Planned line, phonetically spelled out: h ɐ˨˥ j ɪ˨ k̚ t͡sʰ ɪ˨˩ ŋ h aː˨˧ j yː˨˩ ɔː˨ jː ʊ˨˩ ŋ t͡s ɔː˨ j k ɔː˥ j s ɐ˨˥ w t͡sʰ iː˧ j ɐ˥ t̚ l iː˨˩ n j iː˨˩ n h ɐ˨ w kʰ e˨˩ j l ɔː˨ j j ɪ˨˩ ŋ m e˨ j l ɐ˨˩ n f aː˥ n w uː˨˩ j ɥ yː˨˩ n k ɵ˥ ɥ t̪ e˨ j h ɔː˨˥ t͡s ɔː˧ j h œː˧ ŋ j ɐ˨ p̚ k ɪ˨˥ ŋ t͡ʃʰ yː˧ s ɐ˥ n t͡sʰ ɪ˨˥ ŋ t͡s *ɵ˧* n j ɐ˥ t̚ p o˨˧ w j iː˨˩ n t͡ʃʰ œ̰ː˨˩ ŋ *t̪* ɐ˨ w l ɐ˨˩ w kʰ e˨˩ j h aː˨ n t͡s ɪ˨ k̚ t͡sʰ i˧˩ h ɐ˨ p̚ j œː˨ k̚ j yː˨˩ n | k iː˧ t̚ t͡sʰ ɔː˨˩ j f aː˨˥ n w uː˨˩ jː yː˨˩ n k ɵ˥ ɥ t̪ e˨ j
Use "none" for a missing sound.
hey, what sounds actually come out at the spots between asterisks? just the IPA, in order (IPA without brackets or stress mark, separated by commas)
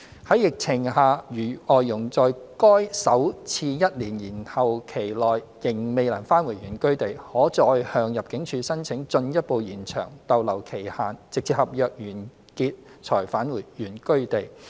ɵ˧, t̪